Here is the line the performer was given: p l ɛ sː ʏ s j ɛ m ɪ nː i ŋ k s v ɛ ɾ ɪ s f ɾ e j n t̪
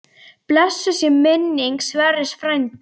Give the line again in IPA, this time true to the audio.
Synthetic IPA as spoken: p l ɛ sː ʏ s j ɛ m ɪ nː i ŋ k s v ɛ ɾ ɪ s f ɾ a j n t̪